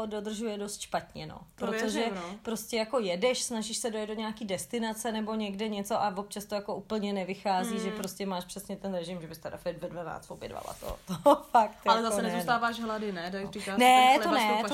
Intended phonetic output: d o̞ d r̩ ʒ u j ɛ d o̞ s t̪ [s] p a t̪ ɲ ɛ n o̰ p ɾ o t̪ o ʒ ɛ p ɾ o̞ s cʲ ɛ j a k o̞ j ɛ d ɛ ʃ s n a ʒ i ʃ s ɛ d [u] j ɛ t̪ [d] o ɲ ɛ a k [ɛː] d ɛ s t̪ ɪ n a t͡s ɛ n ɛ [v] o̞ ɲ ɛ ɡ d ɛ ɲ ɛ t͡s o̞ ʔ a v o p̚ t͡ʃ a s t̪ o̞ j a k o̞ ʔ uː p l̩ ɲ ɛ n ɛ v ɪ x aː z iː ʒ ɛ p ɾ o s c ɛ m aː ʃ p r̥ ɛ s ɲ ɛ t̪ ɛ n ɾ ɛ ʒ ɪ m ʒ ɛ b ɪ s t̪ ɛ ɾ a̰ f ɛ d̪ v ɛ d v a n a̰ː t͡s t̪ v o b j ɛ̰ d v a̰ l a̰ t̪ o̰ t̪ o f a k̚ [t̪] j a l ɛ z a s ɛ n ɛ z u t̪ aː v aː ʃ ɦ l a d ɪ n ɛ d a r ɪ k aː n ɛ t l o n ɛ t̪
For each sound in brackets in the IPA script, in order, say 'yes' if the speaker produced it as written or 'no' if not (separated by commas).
no, no, yes, no, no, yes